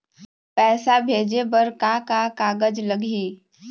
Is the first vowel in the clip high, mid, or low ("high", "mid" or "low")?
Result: mid